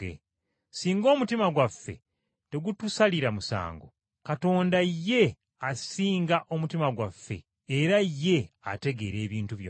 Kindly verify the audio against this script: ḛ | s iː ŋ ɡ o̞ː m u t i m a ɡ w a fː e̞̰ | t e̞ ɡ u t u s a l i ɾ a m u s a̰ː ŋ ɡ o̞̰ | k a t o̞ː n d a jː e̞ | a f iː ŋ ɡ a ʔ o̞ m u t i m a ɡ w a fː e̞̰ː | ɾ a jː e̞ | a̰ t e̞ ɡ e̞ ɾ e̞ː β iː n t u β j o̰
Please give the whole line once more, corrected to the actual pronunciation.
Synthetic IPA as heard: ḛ | s iː ŋ ɡ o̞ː m u t i m a ɡ w a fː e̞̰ | t e̞ ɡ u t u s a l i ɾ a m u s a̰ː ŋ ɡ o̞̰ | k a t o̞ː n d a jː e̞ | a s iː ŋ ɡ a ʔ o̞ m u t i m a ɡ w a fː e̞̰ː | ɾ a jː e̞ | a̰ t e̞ ɡ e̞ ɾ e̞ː β iː n t u β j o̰